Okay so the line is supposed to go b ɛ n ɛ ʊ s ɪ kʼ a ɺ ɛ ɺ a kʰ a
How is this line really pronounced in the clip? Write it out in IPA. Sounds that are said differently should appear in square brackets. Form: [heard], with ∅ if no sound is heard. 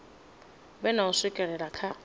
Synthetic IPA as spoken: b ɛ n [a] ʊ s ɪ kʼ [ɛ] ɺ ɛ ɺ a kʰ a